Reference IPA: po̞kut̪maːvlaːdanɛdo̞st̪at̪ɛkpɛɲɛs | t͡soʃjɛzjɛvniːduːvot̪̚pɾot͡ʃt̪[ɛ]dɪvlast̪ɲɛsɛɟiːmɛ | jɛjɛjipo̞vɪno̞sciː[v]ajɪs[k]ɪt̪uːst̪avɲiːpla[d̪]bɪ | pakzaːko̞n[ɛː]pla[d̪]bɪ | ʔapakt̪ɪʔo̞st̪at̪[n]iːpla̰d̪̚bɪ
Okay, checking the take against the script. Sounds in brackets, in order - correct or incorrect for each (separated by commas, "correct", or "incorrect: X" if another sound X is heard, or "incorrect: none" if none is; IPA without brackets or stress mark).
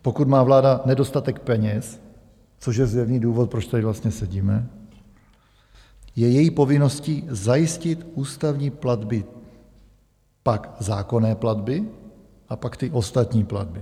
incorrect: a, incorrect: z, incorrect: c, correct, correct, correct, incorrect: ɲ